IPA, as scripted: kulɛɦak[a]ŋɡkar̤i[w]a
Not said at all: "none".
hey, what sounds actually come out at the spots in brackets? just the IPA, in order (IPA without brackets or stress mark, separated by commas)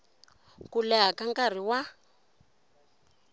a, w